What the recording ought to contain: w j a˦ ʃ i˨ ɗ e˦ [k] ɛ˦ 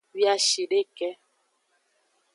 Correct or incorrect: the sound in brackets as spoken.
correct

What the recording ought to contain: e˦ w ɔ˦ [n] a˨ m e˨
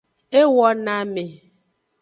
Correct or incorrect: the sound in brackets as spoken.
correct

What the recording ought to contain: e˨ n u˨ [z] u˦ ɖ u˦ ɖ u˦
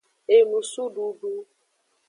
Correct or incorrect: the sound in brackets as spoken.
incorrect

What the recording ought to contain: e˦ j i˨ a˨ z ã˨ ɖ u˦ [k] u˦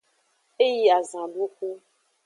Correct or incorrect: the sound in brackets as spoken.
correct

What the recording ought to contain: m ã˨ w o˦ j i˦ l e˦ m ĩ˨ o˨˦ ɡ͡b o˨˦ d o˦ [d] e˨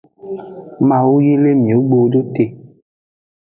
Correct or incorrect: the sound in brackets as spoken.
incorrect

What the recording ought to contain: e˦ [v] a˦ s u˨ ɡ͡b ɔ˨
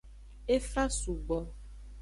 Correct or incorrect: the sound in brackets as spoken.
incorrect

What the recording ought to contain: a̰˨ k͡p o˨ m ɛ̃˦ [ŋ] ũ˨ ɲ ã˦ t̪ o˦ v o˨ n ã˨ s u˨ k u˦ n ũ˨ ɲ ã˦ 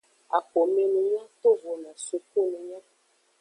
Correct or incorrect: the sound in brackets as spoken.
incorrect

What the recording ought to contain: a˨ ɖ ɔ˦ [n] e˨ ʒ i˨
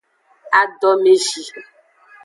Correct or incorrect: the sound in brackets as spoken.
incorrect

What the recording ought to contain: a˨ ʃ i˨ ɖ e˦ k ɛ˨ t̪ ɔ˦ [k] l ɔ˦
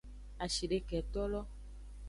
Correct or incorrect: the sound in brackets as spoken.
incorrect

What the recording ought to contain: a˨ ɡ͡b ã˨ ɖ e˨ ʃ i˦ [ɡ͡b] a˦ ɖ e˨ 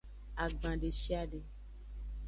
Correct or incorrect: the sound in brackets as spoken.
incorrect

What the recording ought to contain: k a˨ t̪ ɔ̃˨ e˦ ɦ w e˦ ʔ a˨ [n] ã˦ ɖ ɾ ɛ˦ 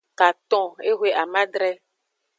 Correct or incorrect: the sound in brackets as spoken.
incorrect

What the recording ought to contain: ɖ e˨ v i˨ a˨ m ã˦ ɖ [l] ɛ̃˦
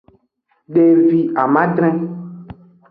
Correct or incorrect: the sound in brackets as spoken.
incorrect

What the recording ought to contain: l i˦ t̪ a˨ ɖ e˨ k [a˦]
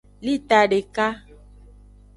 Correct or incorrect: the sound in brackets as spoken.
correct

